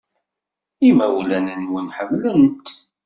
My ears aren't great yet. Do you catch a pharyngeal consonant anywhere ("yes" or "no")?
yes